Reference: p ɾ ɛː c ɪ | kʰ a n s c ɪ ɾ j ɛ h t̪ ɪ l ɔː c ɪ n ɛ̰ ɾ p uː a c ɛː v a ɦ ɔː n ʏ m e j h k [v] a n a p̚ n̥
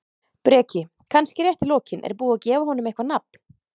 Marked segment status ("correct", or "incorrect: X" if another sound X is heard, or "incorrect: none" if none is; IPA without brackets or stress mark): correct